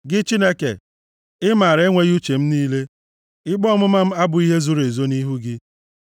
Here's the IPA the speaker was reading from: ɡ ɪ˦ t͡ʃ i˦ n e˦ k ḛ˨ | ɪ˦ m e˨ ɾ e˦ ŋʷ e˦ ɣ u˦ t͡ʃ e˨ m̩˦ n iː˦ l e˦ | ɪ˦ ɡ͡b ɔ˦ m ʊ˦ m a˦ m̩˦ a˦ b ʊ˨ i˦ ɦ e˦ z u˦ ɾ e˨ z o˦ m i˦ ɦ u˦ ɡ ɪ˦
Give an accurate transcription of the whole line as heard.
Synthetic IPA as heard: ɡ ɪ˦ t͡ʃ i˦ n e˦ k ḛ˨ | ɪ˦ m a˨ ɾ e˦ ŋʷ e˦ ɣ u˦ t͡ʃ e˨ m̩˦ n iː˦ l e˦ | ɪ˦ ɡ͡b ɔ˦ m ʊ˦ m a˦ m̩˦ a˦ b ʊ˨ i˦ ɦ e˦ z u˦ ɾ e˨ z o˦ n i˦ ɦ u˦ ɡ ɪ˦